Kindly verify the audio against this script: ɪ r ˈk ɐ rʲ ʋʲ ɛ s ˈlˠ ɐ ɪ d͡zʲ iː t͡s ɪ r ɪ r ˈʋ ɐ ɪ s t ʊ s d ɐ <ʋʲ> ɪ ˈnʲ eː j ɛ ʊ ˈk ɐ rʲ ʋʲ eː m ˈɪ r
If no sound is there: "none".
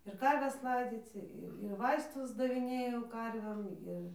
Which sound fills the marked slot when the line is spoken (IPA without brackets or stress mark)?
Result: ʋʲ